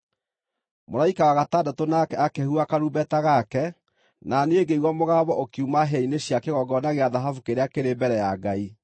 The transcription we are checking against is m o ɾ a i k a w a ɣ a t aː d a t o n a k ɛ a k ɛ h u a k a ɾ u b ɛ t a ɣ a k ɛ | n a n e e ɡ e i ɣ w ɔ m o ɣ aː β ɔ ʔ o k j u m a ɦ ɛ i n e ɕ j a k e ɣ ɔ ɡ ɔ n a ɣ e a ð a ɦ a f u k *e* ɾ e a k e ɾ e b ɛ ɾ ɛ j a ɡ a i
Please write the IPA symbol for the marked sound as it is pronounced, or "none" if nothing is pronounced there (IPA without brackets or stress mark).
e